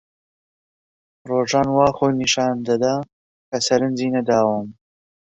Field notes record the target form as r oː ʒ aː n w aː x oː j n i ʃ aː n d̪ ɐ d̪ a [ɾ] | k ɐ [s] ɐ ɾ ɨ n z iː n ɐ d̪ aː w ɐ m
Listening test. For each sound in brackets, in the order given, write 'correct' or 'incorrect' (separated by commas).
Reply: incorrect, correct